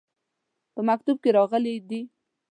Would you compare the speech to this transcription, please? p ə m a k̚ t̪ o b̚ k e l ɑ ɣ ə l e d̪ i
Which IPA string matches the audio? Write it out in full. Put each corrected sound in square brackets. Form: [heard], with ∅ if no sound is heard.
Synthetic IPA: p ə m a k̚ t̪ [u] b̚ k e [ɾ] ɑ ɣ ə l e d̪ i